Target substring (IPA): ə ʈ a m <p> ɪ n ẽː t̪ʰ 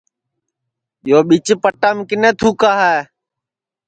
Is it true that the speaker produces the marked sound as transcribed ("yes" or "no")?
no